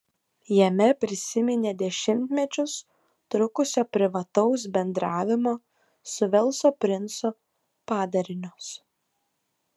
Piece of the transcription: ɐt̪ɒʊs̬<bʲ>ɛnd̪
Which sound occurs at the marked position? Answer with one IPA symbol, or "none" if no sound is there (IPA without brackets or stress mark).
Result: bʲ